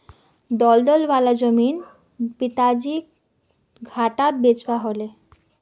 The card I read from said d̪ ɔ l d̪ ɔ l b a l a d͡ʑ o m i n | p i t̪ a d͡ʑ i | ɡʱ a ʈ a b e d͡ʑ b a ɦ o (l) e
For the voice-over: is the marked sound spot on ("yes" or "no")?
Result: yes